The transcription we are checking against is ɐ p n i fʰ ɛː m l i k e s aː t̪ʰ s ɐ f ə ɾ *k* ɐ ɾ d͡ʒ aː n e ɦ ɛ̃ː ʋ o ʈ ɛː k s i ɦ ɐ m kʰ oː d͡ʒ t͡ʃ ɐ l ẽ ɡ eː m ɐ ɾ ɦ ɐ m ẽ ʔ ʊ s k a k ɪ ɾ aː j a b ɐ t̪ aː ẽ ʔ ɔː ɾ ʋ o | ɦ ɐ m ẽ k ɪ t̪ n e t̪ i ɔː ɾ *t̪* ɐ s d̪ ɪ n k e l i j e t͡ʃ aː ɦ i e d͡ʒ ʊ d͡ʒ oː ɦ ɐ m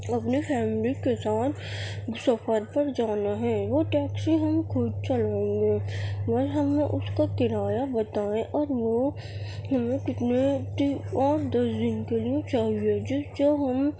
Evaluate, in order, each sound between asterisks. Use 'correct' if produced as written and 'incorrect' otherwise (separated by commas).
incorrect, incorrect